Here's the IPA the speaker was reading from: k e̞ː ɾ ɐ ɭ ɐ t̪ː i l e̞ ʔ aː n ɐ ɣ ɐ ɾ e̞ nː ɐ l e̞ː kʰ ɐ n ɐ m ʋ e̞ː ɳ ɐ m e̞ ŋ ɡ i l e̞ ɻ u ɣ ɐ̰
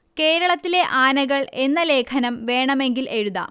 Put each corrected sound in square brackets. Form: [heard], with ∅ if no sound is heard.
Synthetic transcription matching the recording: k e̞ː ɾ ɐ ɭ ɐ t̪ː i l e̞ ʔ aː n ɐ ɣ ɐ [ɭ] e̞ nː ɐ l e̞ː kʰ ɐ n ɐ m ʋ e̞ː ɳ ɐ m e̞ ŋ ɡ i l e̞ ɻ u [ð] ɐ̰